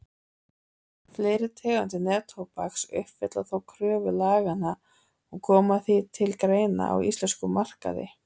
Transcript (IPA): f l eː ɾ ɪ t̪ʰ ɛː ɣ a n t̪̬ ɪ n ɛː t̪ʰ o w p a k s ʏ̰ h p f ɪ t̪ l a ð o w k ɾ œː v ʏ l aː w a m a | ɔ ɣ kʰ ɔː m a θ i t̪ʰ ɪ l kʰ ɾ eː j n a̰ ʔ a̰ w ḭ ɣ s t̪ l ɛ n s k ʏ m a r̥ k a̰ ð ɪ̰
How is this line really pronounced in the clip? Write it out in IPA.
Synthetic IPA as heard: f l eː ɾ ɪ t̪ʰ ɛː ɣ a n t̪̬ ɪ n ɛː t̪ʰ o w p a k s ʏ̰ h p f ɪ t̪ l a θ o w kʰ ɾ œː v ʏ l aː ɣ a n a | ɔ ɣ kʰ ɔː m a θ i t̪ʰ ɪ l k ɾ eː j n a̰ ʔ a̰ w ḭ s t̪ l ɛ n s k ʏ m a r̥ k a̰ ð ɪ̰